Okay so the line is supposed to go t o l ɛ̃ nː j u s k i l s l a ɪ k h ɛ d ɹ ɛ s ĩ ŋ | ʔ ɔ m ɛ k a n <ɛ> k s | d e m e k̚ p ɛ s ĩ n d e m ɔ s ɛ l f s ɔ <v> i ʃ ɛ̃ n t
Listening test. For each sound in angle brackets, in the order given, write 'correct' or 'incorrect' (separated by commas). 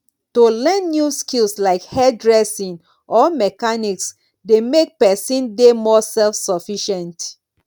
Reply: incorrect, incorrect